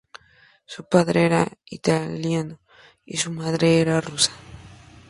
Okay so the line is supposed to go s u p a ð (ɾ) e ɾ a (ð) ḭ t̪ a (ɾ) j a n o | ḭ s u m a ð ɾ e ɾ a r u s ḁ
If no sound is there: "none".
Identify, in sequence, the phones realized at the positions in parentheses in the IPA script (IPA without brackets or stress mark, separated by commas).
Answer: ɾ, none, l